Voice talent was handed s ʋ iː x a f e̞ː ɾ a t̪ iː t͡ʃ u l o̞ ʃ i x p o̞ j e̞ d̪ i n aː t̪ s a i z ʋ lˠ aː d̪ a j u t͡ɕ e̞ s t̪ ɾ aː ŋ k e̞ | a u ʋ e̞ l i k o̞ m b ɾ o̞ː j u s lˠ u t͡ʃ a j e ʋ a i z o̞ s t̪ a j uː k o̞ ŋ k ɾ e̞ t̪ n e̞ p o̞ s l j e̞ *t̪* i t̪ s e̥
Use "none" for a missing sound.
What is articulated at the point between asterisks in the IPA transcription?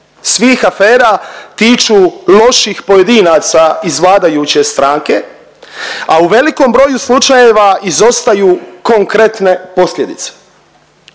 d̪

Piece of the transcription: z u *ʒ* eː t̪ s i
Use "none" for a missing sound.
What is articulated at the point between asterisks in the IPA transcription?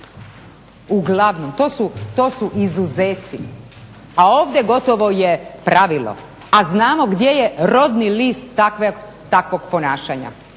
z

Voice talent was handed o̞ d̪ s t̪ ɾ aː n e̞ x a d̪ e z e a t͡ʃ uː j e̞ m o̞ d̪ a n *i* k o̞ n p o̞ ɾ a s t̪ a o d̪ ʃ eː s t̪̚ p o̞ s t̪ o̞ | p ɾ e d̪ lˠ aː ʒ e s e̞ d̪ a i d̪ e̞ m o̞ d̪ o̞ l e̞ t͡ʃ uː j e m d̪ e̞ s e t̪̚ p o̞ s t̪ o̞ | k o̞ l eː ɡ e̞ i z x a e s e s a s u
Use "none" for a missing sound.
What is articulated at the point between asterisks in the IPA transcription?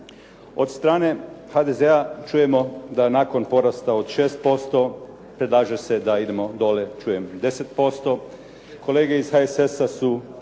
a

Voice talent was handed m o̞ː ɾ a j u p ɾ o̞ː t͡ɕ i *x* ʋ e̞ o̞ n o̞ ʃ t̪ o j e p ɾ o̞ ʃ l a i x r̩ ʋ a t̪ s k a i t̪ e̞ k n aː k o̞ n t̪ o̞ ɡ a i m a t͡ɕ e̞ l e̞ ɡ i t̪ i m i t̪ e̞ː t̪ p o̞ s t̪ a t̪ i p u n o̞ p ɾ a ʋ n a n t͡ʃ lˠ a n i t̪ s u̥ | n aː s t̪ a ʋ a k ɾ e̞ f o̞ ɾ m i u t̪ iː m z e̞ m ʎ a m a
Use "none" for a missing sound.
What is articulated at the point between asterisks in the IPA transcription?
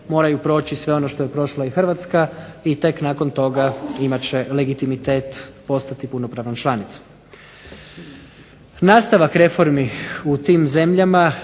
s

